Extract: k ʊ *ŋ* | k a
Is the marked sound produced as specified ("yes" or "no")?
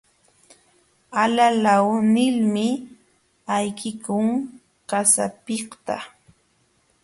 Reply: yes